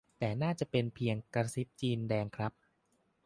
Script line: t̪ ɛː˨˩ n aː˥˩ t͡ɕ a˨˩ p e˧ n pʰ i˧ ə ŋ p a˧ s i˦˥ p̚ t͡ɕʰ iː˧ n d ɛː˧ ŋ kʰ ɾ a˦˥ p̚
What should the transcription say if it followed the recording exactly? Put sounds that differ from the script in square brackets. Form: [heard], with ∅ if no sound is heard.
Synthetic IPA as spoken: t̪ ɛː˨˩ n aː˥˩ t͡ɕ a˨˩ p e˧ n pʰ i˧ ə ŋ [k] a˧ s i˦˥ p̚ [t͡ɕ] iː˧ n d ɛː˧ ŋ kʰ ɾ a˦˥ p̚